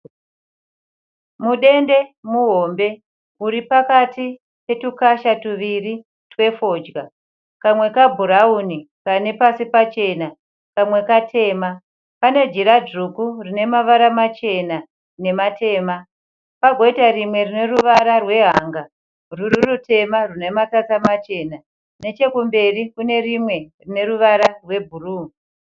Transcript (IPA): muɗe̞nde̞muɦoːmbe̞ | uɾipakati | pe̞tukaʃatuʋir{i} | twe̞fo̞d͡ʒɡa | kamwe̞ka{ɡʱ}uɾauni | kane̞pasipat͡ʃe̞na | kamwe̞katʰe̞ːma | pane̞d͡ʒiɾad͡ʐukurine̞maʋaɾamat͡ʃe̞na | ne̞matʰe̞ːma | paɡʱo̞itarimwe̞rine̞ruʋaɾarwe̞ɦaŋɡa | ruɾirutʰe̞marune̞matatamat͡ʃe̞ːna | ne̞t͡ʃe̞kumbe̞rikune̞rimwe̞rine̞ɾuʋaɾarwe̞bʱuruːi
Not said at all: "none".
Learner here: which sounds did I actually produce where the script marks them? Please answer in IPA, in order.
i, bʱ

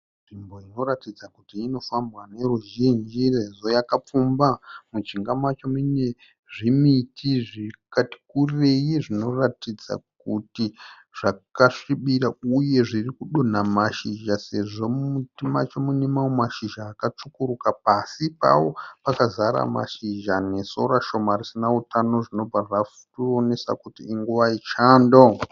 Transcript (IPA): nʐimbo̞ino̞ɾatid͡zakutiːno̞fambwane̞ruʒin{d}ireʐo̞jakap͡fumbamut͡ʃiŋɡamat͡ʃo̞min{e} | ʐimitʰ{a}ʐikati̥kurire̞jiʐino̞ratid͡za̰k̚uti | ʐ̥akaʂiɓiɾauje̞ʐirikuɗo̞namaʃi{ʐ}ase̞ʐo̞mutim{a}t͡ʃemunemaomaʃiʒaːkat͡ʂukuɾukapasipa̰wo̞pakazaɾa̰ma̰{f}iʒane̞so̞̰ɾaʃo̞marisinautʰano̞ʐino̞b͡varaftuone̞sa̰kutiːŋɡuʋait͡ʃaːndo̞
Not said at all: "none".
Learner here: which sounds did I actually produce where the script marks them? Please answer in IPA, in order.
d͡ʒ, e, i, ʒ, a, ʃ

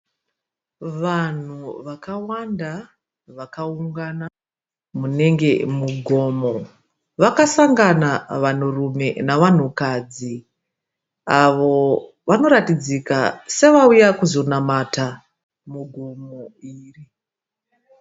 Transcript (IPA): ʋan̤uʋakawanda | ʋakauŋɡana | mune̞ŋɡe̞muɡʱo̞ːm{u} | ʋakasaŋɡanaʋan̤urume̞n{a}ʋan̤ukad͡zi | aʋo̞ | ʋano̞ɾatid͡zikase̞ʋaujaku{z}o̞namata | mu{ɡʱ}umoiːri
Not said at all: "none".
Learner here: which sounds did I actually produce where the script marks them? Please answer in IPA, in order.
o, a, z, ɡʱ

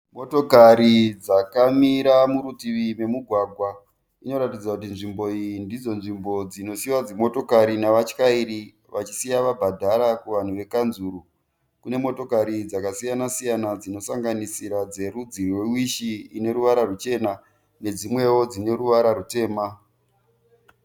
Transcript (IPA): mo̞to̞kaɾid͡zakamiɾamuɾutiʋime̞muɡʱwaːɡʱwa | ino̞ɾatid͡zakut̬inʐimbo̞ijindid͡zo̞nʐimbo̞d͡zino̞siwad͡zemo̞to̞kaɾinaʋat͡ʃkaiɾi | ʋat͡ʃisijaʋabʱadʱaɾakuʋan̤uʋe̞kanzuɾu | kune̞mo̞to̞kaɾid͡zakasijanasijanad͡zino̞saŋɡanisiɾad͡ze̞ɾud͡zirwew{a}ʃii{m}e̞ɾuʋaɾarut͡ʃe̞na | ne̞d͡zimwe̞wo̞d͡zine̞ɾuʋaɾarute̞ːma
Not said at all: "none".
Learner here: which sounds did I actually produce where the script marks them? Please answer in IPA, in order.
i, n

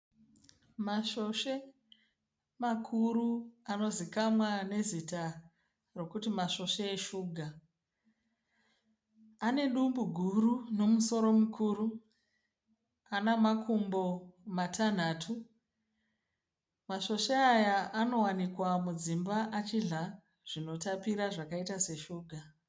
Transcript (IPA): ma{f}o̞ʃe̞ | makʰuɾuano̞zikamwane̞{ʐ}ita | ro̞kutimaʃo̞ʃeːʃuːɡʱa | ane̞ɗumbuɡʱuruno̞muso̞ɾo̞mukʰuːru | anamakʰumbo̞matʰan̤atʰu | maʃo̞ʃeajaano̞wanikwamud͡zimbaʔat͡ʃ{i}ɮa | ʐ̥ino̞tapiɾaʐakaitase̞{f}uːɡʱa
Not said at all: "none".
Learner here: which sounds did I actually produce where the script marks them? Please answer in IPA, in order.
ʃ, z, i, ʃ

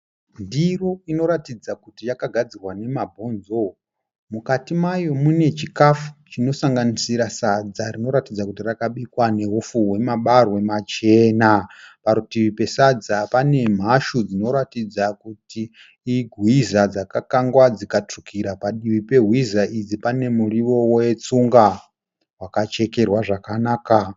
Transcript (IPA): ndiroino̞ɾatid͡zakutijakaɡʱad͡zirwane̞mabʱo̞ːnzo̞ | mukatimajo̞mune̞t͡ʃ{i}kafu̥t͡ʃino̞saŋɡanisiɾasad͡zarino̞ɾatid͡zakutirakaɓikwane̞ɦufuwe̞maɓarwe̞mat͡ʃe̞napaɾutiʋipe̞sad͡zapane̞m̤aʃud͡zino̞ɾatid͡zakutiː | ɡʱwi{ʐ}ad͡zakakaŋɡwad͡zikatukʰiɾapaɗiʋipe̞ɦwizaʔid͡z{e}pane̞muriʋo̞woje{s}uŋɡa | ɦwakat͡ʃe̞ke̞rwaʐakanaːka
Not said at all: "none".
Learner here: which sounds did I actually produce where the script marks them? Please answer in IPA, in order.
i, z, i, t͡s

